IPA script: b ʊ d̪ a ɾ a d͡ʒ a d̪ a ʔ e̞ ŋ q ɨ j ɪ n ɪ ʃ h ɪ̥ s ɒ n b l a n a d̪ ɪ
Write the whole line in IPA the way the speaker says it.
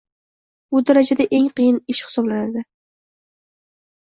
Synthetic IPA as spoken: b ʊ d̪ a ɾ a d͡ʒ a d̪ a ʔ e̞ ŋ q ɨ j ɪ n ɪ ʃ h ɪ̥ s ɒ b l a n a d̪ ɪ